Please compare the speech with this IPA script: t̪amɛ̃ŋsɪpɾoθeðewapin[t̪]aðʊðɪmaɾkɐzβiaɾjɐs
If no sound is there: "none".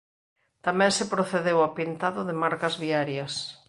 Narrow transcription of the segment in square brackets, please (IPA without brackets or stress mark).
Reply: t̪